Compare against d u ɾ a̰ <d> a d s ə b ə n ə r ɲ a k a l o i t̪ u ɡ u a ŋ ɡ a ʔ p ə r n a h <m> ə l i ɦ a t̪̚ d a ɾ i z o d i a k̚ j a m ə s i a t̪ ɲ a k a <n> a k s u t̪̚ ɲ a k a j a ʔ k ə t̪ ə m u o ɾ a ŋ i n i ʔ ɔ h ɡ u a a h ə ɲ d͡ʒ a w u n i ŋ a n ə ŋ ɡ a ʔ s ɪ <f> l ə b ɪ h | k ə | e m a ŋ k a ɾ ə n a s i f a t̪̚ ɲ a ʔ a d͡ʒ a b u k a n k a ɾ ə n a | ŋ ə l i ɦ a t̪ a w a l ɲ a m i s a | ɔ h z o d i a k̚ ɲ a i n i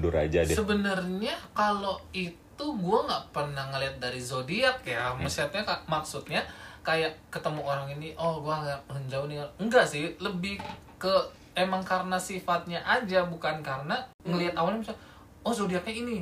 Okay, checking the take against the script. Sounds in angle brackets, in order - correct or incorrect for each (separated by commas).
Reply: incorrect, incorrect, incorrect, incorrect